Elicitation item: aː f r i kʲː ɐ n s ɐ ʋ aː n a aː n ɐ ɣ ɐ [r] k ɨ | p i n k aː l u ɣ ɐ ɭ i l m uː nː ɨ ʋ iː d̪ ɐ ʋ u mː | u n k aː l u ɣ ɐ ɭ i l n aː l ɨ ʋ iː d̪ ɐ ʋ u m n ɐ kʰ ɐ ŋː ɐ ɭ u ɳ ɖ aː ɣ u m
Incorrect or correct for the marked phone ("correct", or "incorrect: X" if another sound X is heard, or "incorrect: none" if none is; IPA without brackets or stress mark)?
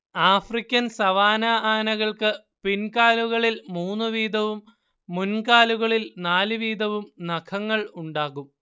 incorrect: ɭ